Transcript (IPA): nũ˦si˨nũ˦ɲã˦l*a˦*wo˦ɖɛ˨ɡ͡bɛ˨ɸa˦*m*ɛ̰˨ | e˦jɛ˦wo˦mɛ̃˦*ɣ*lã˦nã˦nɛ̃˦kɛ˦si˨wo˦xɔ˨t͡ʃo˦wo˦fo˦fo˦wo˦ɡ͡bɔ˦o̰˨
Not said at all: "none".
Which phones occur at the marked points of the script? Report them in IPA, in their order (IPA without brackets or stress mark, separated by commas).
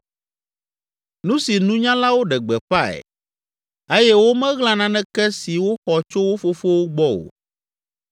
a˦, none, ɣ